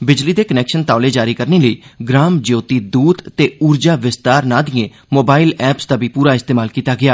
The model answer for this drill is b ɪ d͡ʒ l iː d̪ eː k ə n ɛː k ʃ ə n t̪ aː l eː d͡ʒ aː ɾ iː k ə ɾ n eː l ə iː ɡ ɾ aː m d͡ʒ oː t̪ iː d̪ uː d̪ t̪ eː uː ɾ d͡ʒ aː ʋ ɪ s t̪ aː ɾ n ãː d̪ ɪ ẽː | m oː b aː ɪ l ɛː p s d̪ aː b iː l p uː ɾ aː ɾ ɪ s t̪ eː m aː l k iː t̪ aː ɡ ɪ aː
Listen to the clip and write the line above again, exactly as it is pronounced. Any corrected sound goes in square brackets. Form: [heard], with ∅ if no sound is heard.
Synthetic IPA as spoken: b ɪ d͡ʒ l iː d̪ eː k ə n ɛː k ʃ ə n t̪ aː l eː d͡ʒ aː ɾ iː k ə ɾ n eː l ə iː ɡ ɾ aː m d͡ʒ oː t̪ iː d̪ uː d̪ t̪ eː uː ɾ d͡ʒ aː ʋ ɪ s t̪ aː ɾ n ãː d̪ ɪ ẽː | m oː b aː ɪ l ɛː p s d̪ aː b iː [∅] p uː ɾ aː [∅] ɪ s t̪ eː m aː l k iː t̪ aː ɡ ɪ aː

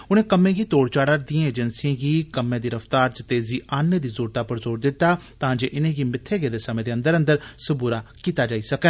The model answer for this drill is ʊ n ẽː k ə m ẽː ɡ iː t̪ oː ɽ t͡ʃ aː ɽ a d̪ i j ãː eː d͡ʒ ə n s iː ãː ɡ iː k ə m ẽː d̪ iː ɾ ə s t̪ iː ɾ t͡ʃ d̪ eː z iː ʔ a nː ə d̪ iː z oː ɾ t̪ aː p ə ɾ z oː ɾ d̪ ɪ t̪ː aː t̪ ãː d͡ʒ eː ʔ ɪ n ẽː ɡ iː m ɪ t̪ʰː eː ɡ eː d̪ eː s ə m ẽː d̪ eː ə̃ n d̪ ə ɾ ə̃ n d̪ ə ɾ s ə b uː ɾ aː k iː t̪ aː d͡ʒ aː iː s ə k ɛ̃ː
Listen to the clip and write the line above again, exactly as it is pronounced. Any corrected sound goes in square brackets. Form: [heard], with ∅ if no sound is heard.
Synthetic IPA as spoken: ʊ n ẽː k ə m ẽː ɡ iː t̪ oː ɽ t͡ʃ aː ɽ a d̪ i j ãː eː d͡ʒ ə n s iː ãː ɡ iː k ə m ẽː d̪ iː ɾ ə [f] t̪ [aː] ɾ t͡ʃ [t̪] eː z iː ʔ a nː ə d̪ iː z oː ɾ t̪ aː p ə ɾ z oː ɾ d̪ ɪ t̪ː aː t̪ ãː d͡ʒ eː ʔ ɪ n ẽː ɡ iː m ɪ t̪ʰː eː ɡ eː d̪ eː s ə m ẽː d̪ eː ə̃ n d̪ ə ɾ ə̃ n d̪ ə ɾ s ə b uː ɾ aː k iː t̪ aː d͡ʒ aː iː s ə k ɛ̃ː

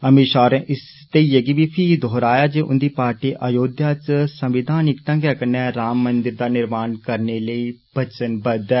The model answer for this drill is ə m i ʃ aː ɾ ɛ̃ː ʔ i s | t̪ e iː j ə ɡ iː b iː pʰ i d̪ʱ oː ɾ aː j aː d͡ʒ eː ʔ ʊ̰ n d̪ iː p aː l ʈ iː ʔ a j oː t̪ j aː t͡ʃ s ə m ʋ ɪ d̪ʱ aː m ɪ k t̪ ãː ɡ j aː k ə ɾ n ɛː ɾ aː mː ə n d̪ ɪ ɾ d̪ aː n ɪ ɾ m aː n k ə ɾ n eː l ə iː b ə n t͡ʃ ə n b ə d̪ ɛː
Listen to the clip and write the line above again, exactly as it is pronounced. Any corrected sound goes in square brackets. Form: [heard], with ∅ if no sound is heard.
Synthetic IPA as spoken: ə m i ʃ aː ɾ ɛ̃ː ʔ [ɪ] s | t̪ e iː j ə ɡ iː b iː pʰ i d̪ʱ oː ɾ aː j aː d͡ʒ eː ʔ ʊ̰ n d̪ iː p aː [ɾ] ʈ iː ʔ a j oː [d̪] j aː t͡ʃ s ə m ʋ ɪ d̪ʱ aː [n] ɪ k t̪ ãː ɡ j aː k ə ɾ n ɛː ɾ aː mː ə n d̪ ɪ ɾ d̪ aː n ɪ ɾ m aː n k ə ɾ n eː l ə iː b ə [∅] t͡ʃ ə n b ə d̪ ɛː

